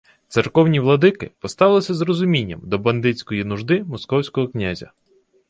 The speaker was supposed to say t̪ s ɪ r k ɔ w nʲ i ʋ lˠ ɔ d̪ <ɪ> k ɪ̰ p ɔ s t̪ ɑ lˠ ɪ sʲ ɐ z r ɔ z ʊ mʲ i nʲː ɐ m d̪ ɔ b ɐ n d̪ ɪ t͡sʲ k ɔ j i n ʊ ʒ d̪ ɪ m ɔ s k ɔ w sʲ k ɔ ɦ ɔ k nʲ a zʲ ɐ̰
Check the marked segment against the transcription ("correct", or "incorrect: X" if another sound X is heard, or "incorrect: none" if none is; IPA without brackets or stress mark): correct